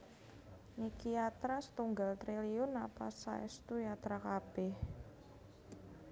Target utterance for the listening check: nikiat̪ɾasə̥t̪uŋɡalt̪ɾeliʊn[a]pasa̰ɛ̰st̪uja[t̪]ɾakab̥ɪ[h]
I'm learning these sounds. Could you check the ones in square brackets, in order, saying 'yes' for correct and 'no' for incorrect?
yes, yes, yes

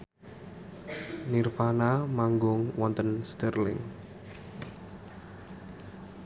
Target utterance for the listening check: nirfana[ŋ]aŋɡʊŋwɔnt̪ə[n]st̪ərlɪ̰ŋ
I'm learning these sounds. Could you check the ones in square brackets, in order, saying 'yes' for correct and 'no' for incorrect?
no, yes

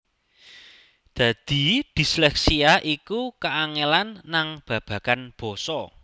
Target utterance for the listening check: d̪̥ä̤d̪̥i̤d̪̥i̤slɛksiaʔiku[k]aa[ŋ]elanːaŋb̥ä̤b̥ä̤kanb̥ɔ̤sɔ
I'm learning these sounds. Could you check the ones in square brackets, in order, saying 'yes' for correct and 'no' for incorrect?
yes, yes

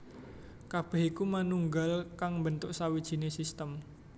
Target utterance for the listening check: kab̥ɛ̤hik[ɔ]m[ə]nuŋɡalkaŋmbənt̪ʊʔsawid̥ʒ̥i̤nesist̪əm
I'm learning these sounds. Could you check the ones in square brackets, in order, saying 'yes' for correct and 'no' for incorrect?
no, no

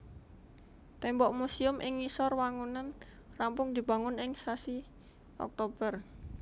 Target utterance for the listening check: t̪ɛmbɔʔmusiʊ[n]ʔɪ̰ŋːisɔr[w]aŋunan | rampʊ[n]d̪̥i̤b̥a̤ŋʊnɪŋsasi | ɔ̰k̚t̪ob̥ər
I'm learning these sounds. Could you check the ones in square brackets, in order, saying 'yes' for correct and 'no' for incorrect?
no, yes, no

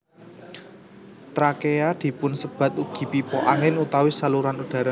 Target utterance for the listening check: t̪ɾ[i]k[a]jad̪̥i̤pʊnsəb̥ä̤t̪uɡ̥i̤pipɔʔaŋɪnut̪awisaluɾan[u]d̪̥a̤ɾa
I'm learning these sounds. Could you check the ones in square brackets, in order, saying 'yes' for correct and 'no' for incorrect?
no, no, yes

